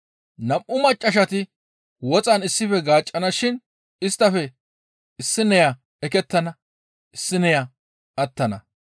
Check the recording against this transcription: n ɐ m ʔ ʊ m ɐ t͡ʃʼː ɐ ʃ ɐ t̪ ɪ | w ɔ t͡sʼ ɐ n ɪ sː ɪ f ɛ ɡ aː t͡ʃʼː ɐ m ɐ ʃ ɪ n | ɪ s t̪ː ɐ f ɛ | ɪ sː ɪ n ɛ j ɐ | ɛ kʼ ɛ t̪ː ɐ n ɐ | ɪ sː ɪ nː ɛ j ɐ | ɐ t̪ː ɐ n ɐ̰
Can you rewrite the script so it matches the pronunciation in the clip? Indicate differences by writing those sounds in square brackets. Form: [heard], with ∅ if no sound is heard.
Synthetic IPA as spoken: n ɐ m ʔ ʊ m ɐ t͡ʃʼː ɐ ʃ ɐ t̪ ɪ | w ɔ t͡sʼ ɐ n ɪ sː ɪ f ɛ ɡ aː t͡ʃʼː ɐ [n] ɐ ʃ ɪ n | ɪ s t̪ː ɐ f ɛ | ɪ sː ɪ n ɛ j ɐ | ɛ [k] ɛ t̪ː ɐ n ɐ | ɪ sː ɪ [n] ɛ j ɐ | ɐ t̪ː ɐ n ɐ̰

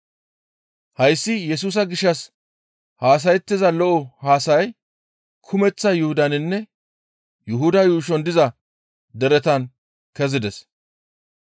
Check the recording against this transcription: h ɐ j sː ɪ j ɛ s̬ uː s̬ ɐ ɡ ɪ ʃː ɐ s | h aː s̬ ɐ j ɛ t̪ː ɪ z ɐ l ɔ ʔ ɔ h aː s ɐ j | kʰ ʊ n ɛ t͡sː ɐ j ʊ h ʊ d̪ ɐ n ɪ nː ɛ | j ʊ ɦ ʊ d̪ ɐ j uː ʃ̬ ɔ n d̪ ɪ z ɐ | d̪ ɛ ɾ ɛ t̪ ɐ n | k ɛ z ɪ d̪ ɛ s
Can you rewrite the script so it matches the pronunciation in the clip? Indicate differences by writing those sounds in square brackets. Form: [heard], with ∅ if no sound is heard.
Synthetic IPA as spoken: h ɐ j sː ɪ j ɛ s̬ uː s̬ ɐ ɡ ɪ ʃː ɐ s | h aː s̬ ɐ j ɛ t̪ː ɪ z ɐ l ɔ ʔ ɔ h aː s ɐ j | kʰ ʊ [m] ɛ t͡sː ɐ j ʊ h ʊ d̪ ɐ n ɪ nː ɛ | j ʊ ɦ ʊ d̪ ɐ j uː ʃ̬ ɔ n d̪ ɪ z ɐ | d̪ ɛ ɾ ɛ t̪ ɐ n | k ɛ z ɪ d̪ ɛ s

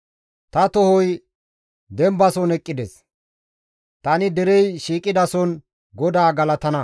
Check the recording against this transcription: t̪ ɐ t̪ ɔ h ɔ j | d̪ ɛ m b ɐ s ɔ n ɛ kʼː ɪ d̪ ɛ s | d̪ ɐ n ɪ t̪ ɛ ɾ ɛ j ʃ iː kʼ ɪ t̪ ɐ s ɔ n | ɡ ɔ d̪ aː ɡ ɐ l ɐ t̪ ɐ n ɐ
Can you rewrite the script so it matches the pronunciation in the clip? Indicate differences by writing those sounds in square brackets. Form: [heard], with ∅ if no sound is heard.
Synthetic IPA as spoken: t̪ ɐ t̪ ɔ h ɔ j | d̪ ɛ m b ɐ s ɔ n ɛ kʼː ɪ d̪ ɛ s | [t̪] ɐ n ɪ [d̪] ɛ ɾ ɛ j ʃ iː kʼ ɪ [d̪] ɐ s ɔ n | ɡ ɔ d̪ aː ɡ ɐ l ɐ t̪ ɐ n ɐ

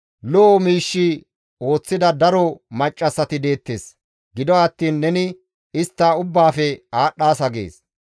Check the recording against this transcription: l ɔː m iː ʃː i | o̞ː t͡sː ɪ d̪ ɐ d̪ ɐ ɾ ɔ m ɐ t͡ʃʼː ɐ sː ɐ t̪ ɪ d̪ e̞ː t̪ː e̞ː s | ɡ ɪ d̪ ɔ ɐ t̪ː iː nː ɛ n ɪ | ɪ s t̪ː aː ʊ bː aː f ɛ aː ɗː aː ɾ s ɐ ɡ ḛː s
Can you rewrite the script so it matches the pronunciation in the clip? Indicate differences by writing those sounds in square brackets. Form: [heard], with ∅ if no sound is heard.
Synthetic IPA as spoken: l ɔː m iː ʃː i | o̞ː t͡sː ɪ d̪ ɐ d̪ ɐ ɾ ɔ m ɐ t͡ʃʼː ɐ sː ɐ t̪ ɪ d̪ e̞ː t̪ː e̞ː s | ɡ ɪ d̪ ɔ ɐ t̪ː iː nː ɛ n ɪ | ɪ s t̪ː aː ʊ bː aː f ɛ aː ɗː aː [∅] s ɐ ɡ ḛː s

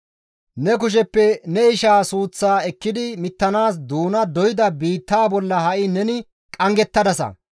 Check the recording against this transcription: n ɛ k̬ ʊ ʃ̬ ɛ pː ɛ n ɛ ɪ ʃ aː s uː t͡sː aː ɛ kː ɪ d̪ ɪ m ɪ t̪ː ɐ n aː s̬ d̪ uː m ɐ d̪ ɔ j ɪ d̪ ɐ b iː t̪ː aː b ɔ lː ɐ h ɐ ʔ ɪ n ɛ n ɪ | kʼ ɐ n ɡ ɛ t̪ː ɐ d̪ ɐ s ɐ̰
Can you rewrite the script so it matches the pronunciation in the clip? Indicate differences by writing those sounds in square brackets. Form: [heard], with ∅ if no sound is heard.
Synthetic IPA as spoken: n ɛ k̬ ʊ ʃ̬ ɛ pː ɛ n ɛ ɪ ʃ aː s uː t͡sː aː ɛ kː ɪ d̪ ɪ m ɪ t̪ː ɐ n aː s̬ d̪ uː [n] ɐ d̪ ɔ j ɪ d̪ ɐ b iː t̪ː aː b ɔ lː ɐ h ɐ ʔ ɪ n ɛ n ɪ | kʼ ɐ [ŋ] ɡ ɛ t̪ː ɐ d̪ ɐ s ɐ̰

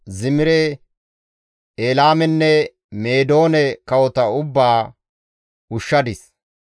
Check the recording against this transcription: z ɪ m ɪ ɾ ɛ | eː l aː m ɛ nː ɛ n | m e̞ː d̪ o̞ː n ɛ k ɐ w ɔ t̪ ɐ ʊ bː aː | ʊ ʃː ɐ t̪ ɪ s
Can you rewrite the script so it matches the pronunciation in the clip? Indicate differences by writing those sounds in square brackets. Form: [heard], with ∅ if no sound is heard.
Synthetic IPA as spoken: z ɪ m ɪ ɾ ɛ | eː l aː m ɛ nː ɛ [∅] | m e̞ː d̪ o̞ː n ɛ k ɐ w ɔ t̪ ɐ ʊ bː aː | ʊ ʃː ɐ [d̪] ɪ s

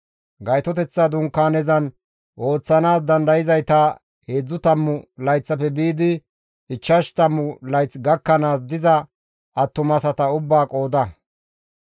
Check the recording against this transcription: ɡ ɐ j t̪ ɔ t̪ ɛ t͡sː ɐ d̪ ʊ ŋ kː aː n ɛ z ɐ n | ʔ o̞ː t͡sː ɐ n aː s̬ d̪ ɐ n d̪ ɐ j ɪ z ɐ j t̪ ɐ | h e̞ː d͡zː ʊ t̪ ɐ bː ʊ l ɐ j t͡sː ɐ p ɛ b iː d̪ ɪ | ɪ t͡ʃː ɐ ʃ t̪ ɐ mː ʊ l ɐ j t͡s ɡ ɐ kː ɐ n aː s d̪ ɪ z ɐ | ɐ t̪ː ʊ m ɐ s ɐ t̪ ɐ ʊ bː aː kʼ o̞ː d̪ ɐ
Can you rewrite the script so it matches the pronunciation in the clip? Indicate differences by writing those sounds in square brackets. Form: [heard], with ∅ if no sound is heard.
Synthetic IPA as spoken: ɡ ɐ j t̪ ɔ t̪ ɛ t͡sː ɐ d̪ ʊ ŋ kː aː n ɛ z ɐ n | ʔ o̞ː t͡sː ɐ n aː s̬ d̪ ɐ n d̪ ɐ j ɪ z ɐ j t̪ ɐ | h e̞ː d͡zː ʊ t̪ ɐ [mː] ʊ l ɐ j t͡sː ɐ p ɛ b iː d̪ ɪ | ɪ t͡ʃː ɐ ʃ t̪ ɐ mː ʊ l ɐ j t͡s ɡ ɐ kː ɐ n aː s d̪ ɪ z ɐ | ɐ t̪ː ʊ m ɐ s ɐ t̪ ɐ ʊ bː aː kʼ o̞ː d̪ ɐ

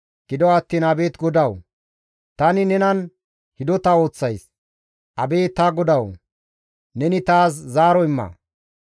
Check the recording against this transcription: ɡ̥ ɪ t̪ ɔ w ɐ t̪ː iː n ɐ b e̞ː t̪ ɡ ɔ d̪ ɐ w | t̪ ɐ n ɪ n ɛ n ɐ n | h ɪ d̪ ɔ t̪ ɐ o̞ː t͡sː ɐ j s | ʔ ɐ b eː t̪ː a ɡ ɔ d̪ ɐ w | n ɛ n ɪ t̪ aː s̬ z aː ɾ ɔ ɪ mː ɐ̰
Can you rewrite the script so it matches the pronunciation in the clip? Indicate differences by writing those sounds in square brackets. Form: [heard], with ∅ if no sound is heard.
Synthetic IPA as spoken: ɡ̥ ɪ [d̪] ɔ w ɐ t̪ː iː n ɐ b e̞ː t̪ ɡ ɔ d̪ ɐ w | t̪ ɐ n ɪ n ɛ n ɐ n | h ɪ d̪ ɔ t̪ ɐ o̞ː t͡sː ɐ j s | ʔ ɐ b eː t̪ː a ɡ ɔ d̪ ɐ w | n ɛ n ɪ t̪ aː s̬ z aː ɾ ɔ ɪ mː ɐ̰

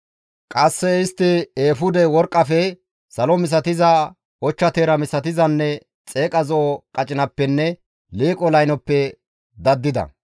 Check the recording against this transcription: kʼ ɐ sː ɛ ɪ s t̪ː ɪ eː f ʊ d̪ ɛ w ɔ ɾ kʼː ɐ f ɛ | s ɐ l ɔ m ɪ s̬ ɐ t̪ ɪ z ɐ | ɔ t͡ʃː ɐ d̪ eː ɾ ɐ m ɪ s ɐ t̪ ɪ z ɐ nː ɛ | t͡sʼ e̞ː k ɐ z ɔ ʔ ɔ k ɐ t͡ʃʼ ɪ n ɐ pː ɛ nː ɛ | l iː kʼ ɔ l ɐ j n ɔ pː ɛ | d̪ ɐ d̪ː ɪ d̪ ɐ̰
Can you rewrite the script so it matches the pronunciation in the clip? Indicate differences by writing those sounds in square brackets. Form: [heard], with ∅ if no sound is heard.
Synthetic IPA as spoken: kʼ ɐ sː ɛ ɪ s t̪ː ɪ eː f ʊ d̪ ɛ w ɔ ɾ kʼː ɐ f ɛ | s ɐ l ɔ m ɪ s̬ ɐ t̪ ɪ z ɐ | ɔ t͡ʃː ɐ [t̪] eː ɾ ɐ m ɪ s ɐ t̪ ɪ z ɐ nː ɛ | t͡sʼ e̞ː [kʼ] ɐ z ɔ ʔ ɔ [kʼ] ɐ t͡ʃʼ ɪ n ɐ pː ɛ nː ɛ | l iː kʼ ɔ l ɐ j n ɔ pː ɛ | d̪ ɐ d̪ː ɪ d̪ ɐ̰

